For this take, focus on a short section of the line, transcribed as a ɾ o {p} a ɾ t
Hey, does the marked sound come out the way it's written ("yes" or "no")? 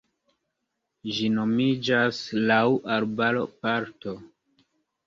yes